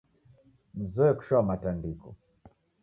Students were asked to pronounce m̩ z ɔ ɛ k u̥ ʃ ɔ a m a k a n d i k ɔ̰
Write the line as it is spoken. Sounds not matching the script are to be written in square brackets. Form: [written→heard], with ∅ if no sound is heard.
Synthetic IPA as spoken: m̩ z ɔ ɛ k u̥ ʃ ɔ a m a [k→t] a n d i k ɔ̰